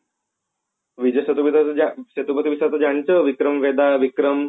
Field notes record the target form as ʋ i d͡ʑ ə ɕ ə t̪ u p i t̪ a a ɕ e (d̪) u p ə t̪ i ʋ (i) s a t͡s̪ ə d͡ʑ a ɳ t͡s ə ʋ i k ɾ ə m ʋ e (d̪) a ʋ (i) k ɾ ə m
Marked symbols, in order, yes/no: no, yes, yes, yes

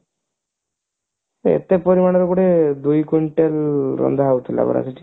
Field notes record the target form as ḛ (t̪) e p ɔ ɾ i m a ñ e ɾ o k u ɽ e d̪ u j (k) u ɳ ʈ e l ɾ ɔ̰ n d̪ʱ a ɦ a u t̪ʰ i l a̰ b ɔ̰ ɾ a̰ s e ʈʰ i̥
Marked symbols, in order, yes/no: yes, yes

